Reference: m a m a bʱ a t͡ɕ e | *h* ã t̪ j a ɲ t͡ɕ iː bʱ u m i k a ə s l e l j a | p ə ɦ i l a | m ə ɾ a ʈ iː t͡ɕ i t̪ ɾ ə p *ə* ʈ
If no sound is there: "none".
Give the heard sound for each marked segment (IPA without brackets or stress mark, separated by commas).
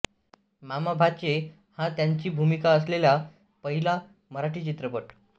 h, ə